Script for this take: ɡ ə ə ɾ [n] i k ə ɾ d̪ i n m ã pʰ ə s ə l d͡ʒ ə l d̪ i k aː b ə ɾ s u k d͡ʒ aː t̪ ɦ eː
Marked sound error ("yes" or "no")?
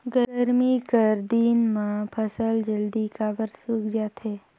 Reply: yes